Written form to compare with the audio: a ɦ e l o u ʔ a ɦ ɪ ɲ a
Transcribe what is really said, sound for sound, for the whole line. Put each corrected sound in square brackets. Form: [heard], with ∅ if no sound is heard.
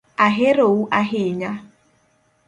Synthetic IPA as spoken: a ɦ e [ɾ] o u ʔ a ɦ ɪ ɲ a